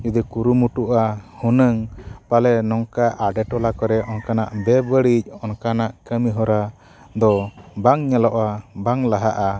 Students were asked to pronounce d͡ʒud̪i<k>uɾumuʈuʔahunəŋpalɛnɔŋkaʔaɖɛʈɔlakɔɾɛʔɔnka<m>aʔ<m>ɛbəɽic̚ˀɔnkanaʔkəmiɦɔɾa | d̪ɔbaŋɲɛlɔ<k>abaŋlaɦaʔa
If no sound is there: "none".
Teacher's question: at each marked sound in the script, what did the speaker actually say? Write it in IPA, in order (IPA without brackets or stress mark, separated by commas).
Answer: k, n, b, ʔ